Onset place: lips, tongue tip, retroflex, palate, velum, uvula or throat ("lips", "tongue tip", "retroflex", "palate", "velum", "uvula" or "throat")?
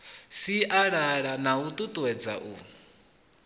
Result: tongue tip